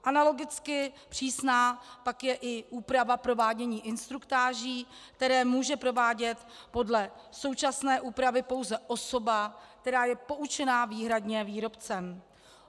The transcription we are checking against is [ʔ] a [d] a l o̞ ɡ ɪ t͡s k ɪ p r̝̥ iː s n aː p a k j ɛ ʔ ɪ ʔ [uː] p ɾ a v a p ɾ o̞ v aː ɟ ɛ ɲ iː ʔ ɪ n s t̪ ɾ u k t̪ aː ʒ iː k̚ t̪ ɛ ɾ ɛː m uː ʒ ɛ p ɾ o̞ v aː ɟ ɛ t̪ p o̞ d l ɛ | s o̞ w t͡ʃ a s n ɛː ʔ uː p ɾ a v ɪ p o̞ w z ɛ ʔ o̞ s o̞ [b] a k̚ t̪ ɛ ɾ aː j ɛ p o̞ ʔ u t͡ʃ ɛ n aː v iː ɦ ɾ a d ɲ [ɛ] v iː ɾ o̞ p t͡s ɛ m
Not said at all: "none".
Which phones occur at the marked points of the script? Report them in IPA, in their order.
ʔ, n, uː, b, ɛ

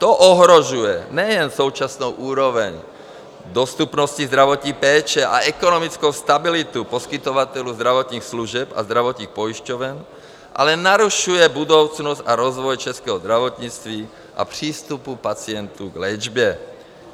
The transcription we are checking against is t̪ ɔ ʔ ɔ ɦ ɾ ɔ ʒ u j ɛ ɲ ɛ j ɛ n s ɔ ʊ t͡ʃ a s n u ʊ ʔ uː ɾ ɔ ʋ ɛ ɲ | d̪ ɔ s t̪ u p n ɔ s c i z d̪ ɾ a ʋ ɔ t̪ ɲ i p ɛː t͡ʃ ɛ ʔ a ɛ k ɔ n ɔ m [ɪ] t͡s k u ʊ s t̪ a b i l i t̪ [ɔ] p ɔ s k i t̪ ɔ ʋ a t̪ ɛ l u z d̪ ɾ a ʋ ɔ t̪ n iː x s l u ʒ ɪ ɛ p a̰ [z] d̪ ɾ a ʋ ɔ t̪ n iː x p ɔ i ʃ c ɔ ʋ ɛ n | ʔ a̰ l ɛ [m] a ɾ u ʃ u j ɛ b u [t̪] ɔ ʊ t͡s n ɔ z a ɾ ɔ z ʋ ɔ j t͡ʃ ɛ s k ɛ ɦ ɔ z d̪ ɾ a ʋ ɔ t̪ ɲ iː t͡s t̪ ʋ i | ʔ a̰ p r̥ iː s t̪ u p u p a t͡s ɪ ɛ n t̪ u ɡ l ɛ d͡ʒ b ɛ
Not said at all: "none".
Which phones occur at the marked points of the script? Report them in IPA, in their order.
i, u, z, n, d̪

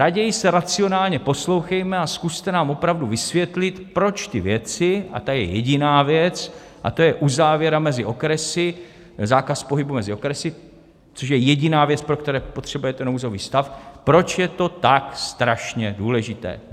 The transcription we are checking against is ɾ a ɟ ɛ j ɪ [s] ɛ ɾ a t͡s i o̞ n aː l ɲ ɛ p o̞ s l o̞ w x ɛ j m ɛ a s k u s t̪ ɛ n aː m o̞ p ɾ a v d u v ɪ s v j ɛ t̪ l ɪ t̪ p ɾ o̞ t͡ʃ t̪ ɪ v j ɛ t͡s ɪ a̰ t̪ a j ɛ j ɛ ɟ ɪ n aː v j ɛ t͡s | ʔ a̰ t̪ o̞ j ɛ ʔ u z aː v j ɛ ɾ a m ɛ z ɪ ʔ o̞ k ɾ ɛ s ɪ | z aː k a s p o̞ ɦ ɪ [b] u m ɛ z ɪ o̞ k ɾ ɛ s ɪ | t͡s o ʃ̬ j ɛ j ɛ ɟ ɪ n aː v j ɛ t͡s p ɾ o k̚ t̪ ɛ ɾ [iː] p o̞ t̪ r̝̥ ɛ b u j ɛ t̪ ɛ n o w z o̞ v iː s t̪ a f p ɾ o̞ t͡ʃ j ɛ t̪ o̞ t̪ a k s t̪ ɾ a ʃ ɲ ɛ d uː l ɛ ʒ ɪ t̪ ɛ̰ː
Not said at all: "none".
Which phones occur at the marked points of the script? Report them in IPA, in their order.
s, b, ɛː

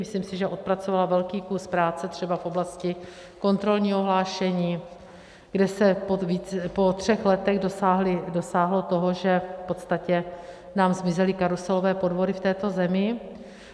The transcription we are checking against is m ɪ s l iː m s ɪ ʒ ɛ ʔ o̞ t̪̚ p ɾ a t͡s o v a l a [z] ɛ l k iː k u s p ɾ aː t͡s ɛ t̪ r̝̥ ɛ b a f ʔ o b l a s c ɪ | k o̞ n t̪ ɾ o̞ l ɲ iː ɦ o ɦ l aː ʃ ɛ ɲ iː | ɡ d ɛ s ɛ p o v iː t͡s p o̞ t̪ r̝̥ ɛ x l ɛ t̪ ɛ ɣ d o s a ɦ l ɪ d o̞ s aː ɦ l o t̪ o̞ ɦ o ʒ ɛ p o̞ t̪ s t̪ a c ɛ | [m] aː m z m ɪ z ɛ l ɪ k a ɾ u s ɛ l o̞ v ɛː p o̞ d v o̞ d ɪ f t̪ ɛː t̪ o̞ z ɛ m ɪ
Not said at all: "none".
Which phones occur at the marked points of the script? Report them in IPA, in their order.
v, n

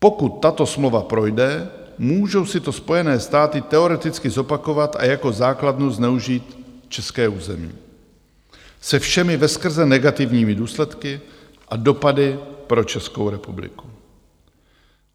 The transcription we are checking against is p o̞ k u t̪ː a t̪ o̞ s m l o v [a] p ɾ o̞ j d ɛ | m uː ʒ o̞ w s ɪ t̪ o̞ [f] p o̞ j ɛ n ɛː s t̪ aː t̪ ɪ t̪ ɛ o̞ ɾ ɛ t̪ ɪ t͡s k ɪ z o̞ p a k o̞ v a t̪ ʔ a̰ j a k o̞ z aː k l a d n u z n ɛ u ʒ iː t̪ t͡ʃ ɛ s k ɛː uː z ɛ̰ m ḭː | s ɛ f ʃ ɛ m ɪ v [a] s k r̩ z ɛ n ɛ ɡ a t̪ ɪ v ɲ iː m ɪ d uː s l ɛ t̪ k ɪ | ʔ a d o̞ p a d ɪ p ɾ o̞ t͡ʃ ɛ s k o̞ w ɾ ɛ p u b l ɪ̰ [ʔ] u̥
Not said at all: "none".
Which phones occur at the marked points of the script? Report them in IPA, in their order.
a, s, ɛ, k

